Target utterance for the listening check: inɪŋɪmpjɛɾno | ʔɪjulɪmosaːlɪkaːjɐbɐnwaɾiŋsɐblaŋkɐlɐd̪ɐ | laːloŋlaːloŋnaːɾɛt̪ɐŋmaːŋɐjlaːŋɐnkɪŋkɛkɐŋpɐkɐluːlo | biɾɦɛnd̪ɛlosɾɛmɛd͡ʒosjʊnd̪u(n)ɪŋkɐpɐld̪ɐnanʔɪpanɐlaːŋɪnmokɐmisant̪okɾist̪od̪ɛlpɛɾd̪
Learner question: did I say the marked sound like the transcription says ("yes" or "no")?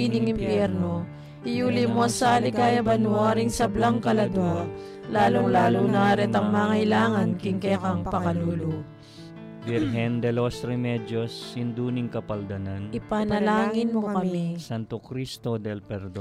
yes